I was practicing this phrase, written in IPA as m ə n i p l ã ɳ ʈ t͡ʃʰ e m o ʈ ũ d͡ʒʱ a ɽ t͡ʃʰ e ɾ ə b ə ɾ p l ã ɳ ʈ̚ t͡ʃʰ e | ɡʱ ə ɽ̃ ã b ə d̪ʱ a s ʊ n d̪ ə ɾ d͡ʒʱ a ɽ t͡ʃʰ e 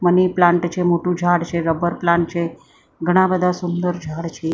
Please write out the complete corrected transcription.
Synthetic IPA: m ə n i p l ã ɳ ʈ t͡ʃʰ e m o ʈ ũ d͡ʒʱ a ɽ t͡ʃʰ e ɾ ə b ə ɾ p l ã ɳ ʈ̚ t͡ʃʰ e | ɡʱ ə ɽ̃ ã b ə d̪ʱ a s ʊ n d̪ ə ɾ d͡ʒʱ a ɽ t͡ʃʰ e

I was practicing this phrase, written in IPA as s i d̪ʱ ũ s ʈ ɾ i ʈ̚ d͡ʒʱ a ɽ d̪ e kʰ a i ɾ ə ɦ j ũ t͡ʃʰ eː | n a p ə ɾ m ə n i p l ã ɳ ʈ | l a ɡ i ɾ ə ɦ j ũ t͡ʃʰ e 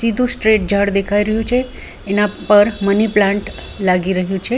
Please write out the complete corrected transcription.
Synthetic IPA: s i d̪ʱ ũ s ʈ ɾ e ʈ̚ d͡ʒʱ a ɽ d̪ e kʰ a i ɾ ə ɦ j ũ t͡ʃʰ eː | n a p ə ɾ m ə n i p l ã ɳ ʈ | l a ɡ i ɾ ə ɦ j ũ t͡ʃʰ e

